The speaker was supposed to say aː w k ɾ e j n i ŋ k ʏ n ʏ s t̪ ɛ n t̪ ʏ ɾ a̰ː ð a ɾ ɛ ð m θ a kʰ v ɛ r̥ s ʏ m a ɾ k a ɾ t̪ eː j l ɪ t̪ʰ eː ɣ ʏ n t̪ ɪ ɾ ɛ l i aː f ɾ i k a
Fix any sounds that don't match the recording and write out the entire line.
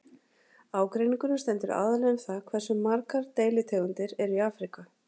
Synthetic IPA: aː w k ɾ e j n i ŋ k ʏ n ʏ s t̪ ɛ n t̪ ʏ ɾ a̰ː ð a l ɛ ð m θ a kʰ v ɛ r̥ s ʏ m a ɾ k a ɾ t̪ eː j l ɪ t̪ʰ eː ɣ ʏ n t̪ ɪ ɾ ɛ ɾ i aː f ɾ i k a